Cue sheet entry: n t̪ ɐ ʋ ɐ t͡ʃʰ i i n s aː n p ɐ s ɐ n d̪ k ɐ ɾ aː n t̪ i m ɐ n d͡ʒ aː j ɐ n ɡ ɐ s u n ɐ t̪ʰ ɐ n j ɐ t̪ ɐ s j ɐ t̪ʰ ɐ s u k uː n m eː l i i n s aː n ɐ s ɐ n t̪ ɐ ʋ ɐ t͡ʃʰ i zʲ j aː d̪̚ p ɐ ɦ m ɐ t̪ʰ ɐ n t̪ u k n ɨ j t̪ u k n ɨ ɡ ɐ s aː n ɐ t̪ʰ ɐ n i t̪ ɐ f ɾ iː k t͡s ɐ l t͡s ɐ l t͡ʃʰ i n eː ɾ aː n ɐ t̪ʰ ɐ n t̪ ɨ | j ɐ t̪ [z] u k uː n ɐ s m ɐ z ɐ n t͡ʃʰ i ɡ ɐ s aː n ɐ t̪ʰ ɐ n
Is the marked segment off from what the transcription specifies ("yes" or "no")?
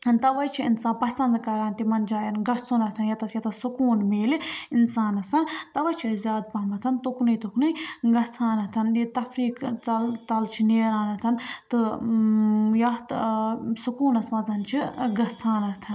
yes